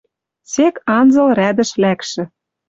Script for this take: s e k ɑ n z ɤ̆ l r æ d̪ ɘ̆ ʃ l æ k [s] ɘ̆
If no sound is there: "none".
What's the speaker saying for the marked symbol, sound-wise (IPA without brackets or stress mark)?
ʃ